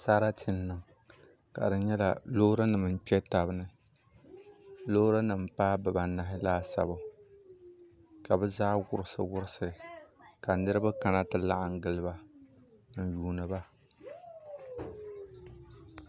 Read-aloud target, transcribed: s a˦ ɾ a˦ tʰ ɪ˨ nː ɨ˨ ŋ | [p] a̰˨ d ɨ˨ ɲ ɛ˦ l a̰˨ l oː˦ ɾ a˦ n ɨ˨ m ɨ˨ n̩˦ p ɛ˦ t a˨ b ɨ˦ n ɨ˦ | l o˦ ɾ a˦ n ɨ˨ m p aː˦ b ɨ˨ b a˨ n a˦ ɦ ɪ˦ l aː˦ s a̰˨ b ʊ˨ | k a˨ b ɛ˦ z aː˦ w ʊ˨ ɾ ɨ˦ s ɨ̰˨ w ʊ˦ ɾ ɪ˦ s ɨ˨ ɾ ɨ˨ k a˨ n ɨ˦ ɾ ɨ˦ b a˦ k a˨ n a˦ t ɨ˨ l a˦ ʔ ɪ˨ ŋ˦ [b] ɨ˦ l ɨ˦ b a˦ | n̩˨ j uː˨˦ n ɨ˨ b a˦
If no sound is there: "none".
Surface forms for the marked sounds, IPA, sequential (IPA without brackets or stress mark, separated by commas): k, ɡ